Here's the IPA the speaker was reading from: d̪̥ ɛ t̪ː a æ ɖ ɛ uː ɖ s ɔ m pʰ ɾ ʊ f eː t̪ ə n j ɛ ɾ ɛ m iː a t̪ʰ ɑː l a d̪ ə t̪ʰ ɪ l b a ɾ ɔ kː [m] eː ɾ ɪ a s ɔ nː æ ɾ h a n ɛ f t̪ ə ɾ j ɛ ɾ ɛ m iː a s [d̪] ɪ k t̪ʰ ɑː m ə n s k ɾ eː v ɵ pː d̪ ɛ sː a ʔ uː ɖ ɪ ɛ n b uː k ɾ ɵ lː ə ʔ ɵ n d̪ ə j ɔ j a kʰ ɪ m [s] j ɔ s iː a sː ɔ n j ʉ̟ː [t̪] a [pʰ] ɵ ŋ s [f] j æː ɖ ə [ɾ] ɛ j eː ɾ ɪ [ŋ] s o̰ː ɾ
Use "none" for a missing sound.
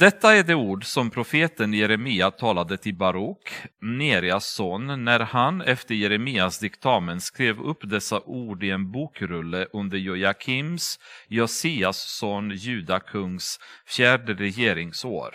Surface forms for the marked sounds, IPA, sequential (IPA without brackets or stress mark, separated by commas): n, d̪, s, d̪, kʰ, f, ɾ, ŋ